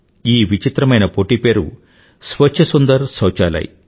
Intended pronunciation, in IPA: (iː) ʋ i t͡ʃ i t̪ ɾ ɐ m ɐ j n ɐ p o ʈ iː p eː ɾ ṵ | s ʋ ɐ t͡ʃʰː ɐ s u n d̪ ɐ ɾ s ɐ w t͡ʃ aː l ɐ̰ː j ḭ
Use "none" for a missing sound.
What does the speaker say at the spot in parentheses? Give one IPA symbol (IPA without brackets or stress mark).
iː